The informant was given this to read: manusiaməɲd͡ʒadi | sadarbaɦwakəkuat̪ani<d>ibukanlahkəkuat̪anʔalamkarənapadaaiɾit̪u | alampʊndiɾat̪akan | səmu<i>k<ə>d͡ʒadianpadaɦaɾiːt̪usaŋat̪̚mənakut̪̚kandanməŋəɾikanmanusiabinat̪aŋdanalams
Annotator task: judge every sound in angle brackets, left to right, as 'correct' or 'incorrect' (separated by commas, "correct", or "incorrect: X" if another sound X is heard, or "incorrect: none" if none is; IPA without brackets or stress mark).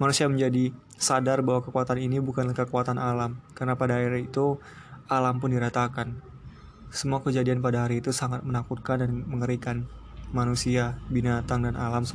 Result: incorrect: n, incorrect: a, correct